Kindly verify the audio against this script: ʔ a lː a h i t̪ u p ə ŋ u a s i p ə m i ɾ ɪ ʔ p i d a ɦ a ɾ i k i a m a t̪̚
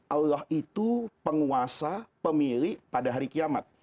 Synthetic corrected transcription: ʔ a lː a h i t̪ u p ə ŋ u a s a p ə m i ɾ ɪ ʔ p a d a ɦ a ɾ i k i a m a t̪̚